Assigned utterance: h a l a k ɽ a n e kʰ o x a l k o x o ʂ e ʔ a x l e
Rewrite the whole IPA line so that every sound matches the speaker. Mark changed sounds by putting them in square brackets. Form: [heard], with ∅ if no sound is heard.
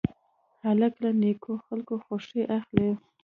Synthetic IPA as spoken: h a l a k [l] a n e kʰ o x a l k o x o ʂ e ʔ a x l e